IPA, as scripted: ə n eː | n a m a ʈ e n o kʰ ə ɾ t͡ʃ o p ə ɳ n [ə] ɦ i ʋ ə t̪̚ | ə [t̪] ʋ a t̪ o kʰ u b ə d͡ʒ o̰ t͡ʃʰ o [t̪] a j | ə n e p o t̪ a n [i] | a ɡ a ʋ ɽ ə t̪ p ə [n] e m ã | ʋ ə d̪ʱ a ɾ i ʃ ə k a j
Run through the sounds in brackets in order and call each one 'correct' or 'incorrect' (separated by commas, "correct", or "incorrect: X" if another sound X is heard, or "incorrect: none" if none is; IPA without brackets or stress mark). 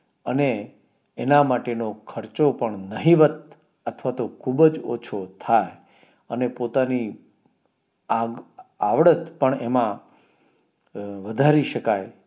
correct, incorrect: t̪ʰ, incorrect: t̪ʰ, correct, incorrect: ɳ